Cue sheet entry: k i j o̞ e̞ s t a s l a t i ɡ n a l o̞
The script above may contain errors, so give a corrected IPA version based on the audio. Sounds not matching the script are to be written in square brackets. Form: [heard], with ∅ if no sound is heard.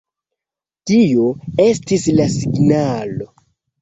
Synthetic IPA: [t] i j o̞ e̞ s t [i] s l a [s] i ɡ n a l o̞